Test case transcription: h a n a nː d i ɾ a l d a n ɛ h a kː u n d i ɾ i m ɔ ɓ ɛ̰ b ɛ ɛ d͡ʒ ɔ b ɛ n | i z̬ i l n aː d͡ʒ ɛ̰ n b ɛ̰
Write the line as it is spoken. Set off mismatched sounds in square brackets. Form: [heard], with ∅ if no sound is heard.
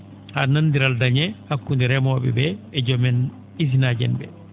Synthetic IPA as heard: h a n a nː d i ɾ a l d a [ɲ] ɛ h a kː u n d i ɾ [ɛ] m ɔ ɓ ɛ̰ b ɛ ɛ d͡ʒ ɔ [m] ɛ n | i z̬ i [∅] n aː d͡ʒ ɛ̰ n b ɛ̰